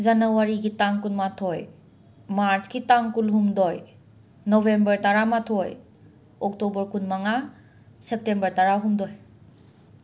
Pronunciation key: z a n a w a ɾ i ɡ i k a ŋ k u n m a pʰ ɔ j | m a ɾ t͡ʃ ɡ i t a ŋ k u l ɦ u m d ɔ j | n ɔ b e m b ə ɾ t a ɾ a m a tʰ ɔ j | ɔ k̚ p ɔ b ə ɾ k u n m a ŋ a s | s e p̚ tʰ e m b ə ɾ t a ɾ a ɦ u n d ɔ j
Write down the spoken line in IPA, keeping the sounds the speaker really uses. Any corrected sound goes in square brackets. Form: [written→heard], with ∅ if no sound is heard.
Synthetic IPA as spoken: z a n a w a ɾ i ɡ i [k→t] a ŋ k u n m a [pʰ→tʰ] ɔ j | m a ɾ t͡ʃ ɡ i t a ŋ k u l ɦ u m d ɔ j | n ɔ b e m b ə ɾ t a ɾ a m a tʰ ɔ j | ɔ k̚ [p→t] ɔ b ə ɾ k u n m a ŋ a [s→∅] | s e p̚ [tʰ→t] e m b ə ɾ t a ɾ a ɦ u [n→m] d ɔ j